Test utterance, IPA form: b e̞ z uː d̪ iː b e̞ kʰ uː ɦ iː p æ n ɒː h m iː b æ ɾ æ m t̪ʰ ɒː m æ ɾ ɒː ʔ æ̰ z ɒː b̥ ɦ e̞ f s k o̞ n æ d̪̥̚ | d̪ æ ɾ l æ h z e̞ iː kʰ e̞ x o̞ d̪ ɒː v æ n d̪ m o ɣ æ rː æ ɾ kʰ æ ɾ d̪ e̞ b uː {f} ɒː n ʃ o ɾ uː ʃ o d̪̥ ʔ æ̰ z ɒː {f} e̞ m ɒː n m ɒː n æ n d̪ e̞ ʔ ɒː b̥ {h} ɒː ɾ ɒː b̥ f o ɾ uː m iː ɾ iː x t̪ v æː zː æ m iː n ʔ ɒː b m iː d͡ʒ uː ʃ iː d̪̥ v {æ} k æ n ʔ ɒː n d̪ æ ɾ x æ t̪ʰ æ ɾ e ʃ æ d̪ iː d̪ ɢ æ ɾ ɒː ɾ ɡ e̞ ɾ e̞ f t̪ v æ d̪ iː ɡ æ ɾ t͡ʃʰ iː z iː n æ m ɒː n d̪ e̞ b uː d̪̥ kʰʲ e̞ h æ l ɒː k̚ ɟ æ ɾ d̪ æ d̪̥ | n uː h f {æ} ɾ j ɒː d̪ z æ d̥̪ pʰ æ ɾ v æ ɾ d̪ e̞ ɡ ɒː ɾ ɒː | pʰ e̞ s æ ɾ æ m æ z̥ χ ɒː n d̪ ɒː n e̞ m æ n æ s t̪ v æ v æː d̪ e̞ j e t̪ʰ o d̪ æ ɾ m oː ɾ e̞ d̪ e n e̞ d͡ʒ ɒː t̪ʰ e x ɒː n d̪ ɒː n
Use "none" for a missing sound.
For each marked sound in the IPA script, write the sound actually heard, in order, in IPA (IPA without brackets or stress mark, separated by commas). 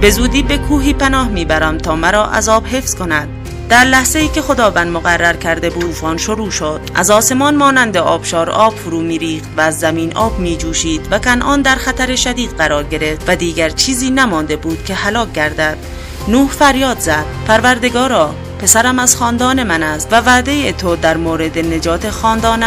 f, s, ʃ, æ, æ